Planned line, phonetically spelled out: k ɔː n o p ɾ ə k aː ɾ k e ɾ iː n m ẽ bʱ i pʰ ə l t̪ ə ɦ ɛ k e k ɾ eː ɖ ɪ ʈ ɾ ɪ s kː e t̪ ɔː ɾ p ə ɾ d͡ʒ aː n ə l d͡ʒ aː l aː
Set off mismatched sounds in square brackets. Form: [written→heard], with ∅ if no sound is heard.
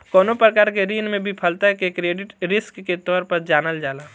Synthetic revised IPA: k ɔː n o p ɾ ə k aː ɾ k e ɾ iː n m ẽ bʱ i pʰ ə l t̪ [ə→a] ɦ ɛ k e k ɾ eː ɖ ɪ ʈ ɾ ɪ s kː e t̪ ɔː ɾ p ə ɾ d͡ʒ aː n ə l d͡ʒ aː l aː